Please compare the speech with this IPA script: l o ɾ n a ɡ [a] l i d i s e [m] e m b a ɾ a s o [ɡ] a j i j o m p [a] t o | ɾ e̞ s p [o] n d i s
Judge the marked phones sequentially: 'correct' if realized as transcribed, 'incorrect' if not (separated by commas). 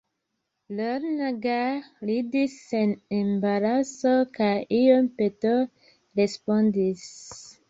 correct, incorrect, incorrect, incorrect, correct